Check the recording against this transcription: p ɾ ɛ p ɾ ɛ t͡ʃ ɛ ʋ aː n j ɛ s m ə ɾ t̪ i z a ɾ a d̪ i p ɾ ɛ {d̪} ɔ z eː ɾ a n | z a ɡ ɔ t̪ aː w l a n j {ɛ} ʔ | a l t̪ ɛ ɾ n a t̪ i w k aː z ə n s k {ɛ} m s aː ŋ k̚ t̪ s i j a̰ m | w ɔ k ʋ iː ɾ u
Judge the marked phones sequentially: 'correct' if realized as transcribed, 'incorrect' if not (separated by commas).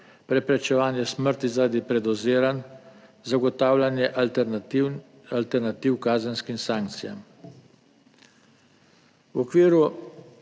correct, correct, incorrect